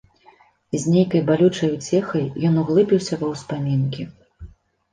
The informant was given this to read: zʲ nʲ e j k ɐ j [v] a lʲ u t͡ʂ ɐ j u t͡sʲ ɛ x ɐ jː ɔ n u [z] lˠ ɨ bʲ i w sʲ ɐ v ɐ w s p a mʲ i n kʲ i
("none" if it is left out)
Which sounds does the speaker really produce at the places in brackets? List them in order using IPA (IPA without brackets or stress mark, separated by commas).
b, ɣ